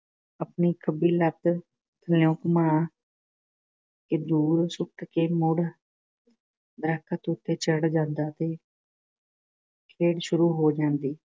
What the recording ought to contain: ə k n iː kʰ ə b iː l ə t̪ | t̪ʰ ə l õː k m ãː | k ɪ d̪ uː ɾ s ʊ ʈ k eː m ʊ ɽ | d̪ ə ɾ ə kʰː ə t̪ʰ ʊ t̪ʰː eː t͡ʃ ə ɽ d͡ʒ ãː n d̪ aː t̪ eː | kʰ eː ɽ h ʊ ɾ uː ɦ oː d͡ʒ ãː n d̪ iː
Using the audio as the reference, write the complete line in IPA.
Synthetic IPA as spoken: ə p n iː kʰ ə b iː l ə t̪ | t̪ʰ ə l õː k m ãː | k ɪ d̪ uː ɾ s ʊ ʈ k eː m ʊ ɽ | d̪ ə ɾ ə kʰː ə t̪ ʊ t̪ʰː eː t͡ʃ ə ɽ d͡ʒ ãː n d̪ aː t̪ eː | kʰ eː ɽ ʃ ʊ ɾ uː ɦ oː d͡ʒ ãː n d̪ iː

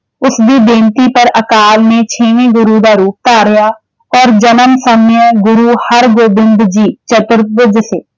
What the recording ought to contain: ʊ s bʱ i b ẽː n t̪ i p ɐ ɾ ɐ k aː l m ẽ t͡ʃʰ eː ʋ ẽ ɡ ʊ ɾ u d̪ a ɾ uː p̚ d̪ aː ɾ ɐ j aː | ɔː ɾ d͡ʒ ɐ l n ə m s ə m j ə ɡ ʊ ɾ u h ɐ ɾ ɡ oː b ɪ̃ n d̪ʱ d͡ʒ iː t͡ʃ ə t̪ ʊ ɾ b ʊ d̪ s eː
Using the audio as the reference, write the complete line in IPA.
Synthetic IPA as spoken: ʊ s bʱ i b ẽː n t̪ i p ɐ ɾ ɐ k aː l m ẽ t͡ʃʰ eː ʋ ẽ ɡ ʊ ɾ u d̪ a ɾ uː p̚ t̪ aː ɾ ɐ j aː | ɔː ɾ d͡ʒ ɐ n ə m s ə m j ə ɡ ʊ ɾ u h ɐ ɾ ɡ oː b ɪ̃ n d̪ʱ d͡ʒ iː t͡ʃ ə t̪ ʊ ɾ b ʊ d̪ s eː

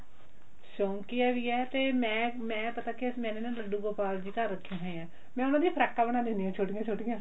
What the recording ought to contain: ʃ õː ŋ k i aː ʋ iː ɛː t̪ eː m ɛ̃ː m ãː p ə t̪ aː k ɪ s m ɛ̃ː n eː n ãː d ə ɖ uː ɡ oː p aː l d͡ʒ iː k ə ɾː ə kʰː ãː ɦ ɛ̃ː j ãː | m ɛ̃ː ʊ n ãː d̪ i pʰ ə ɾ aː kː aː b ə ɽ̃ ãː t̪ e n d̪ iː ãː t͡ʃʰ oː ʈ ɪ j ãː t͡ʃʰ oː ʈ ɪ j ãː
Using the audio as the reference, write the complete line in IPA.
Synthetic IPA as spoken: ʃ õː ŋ k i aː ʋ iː ɛː t̪ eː m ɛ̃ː m ɛ̃ː p ə t̪ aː k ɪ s m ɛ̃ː n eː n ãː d ə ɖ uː ɡ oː p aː l d͡ʒ iː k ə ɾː ə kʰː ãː ɦ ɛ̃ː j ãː | m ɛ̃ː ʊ n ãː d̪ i pʰ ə ɾ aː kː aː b ə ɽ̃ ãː d̪ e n d̪ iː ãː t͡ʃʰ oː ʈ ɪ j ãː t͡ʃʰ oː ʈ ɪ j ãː

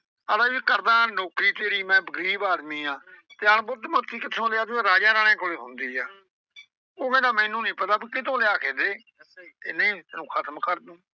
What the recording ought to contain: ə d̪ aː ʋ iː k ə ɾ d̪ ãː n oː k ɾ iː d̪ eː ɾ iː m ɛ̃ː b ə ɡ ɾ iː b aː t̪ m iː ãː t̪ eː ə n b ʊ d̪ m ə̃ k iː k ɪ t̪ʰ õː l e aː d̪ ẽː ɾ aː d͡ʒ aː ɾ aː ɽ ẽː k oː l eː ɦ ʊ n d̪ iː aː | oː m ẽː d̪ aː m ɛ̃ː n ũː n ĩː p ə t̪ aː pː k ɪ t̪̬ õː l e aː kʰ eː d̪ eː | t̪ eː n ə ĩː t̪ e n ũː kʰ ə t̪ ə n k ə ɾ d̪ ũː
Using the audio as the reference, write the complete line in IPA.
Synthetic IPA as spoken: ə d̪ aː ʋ iː k ə ɾ d̪ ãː n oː k ɾ iː t̪ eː ɾ iː m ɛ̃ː b ə ɡ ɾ iː b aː d̪ m iː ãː t̪ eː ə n b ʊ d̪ m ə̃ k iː k ɪ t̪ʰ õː l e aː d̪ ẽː ɾ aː d͡ʒ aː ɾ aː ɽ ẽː k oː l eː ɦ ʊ n d̪ iː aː | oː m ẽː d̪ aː m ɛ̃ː n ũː n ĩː p ə t̪ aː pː k ɪ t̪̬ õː l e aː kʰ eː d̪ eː | t̪ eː n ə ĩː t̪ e n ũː kʰ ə t̪ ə m k ə ɾ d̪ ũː

